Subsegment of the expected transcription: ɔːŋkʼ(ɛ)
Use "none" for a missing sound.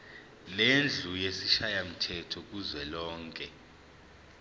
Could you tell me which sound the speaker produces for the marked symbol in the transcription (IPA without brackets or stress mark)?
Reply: ɛ